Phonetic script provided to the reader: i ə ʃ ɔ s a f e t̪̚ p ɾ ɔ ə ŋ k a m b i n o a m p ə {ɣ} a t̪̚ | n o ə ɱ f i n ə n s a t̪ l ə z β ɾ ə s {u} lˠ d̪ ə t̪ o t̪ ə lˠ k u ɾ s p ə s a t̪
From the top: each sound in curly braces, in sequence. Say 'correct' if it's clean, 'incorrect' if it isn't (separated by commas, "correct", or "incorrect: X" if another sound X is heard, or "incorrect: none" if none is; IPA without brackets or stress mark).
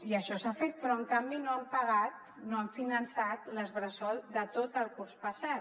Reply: correct, incorrect: ɔ